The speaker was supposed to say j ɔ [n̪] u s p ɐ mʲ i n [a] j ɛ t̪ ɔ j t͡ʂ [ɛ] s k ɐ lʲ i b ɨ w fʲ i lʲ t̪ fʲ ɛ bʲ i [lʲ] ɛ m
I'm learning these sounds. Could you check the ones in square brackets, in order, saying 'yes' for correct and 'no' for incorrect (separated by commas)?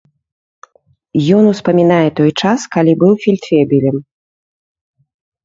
yes, yes, no, yes